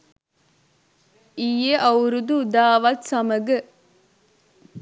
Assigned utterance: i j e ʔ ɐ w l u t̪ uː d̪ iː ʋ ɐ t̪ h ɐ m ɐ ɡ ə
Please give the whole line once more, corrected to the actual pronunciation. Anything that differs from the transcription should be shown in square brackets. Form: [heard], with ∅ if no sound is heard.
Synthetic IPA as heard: i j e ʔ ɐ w [ɾ] u [d̪] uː d̪ [aː] ʋ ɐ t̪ [s] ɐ m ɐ ɡ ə